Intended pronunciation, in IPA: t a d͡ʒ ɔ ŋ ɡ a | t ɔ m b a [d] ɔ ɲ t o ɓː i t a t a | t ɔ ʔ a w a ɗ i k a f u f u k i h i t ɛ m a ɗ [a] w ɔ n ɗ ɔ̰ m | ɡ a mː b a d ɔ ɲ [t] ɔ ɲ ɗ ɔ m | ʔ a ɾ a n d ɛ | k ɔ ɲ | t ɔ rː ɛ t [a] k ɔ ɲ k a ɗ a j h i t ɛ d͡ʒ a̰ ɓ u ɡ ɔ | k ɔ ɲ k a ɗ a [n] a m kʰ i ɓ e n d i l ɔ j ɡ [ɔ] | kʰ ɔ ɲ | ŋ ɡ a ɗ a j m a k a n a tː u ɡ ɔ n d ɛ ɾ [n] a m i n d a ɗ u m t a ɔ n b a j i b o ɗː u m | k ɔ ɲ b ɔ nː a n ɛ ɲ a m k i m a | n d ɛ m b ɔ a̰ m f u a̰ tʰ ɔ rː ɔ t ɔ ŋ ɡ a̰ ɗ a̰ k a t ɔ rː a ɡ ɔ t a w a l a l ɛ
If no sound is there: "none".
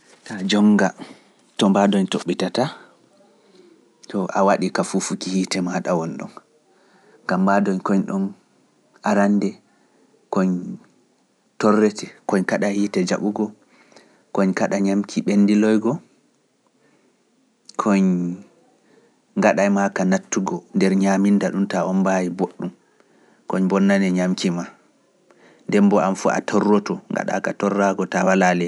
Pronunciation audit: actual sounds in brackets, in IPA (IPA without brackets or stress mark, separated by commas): d, a, k, ɛ, ɲ, ɔ, ɲ